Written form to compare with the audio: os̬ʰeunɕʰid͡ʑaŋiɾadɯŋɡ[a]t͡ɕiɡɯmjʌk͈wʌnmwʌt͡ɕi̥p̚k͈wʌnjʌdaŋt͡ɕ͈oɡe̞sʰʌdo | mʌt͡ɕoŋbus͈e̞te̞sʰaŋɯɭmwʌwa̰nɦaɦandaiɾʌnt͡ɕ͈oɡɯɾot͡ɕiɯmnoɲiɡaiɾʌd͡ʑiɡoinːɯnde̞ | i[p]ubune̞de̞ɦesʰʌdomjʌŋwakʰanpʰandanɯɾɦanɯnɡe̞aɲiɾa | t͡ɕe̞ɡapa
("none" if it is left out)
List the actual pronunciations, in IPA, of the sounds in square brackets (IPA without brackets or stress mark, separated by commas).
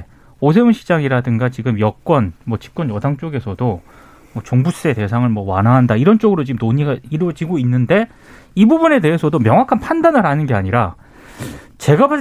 a, b